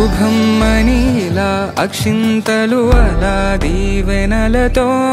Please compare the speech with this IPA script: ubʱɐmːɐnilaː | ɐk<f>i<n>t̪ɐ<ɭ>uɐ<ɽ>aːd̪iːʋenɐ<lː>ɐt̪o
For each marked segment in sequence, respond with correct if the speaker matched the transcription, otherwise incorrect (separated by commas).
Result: incorrect, correct, incorrect, incorrect, incorrect